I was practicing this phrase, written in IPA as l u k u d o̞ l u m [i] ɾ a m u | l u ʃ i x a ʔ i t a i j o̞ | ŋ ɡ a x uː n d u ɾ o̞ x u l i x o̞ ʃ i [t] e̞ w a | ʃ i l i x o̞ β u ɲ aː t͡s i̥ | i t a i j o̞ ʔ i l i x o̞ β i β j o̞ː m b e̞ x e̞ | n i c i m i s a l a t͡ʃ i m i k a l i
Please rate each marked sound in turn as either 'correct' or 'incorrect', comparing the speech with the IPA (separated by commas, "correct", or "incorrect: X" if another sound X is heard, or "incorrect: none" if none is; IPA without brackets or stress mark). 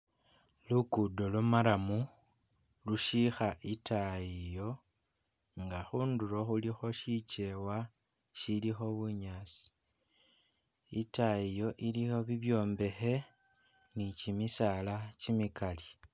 incorrect: a, incorrect: t͡ʃ